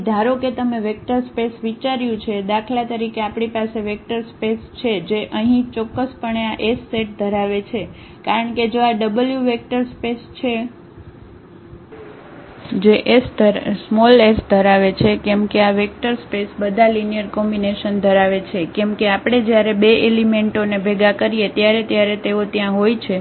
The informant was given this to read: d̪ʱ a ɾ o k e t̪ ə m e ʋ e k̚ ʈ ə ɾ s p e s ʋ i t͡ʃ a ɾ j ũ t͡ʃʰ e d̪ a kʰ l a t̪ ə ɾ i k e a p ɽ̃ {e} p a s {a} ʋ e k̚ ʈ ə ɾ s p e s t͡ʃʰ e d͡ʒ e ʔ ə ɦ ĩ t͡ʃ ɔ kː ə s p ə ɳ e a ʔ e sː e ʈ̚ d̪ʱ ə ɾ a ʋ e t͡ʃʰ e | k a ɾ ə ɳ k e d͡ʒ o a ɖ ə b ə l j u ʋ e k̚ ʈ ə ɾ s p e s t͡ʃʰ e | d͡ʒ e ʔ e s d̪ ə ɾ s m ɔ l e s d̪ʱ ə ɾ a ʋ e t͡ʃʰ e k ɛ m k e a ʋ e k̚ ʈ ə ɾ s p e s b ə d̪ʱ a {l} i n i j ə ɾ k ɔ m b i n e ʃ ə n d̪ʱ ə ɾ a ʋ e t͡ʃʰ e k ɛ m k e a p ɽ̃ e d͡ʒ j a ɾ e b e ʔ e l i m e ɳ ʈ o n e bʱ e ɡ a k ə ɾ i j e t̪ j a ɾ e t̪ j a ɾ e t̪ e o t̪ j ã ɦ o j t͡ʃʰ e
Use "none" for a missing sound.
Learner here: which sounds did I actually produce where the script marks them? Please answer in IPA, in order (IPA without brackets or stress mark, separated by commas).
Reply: i, e, l